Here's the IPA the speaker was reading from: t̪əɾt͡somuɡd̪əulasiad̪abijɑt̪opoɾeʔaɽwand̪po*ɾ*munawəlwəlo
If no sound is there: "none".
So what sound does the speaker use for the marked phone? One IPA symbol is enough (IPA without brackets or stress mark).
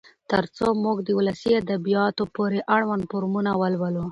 ɾ